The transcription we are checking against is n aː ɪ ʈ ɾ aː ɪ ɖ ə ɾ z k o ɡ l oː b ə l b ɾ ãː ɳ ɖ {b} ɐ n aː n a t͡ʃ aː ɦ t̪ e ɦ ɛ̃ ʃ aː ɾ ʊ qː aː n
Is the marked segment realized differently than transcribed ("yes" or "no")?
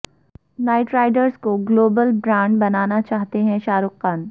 no